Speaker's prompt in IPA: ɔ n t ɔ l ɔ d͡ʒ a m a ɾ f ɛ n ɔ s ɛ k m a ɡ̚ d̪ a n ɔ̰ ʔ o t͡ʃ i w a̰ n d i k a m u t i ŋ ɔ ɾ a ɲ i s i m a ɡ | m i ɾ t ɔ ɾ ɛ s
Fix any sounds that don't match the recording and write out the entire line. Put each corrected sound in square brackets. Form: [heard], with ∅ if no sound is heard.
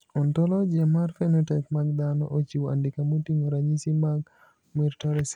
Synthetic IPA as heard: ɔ n t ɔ l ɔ d͡ʒ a m a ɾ f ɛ n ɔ [t] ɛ k m a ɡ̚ d̪ a n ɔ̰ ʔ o t͡ʃ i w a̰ n d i k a m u t i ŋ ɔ ɾ a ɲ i s i m a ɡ | m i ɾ t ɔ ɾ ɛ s